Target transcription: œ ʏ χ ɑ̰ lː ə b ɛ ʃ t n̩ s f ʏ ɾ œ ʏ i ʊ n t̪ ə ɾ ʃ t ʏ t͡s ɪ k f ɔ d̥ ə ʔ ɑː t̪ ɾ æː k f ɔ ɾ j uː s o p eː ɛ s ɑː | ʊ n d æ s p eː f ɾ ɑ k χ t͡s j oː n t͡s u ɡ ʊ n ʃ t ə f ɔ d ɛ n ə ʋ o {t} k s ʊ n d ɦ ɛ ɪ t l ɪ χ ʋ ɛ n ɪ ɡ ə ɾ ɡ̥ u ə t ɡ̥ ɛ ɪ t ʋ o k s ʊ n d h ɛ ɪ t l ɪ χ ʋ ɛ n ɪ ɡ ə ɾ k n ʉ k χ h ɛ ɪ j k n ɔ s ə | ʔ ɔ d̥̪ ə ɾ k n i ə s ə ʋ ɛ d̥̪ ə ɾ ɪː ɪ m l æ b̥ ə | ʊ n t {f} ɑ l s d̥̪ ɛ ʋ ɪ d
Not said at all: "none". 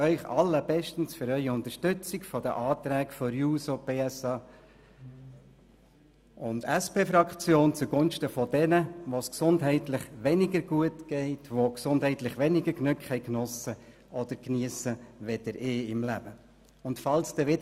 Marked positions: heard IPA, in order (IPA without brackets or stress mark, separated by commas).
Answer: s, f